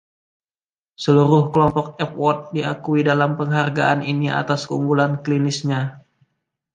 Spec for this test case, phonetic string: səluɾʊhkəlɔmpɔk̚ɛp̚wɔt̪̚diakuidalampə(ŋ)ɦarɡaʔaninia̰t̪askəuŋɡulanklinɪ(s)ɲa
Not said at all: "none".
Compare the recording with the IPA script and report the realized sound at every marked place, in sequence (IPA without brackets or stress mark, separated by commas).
ŋ, s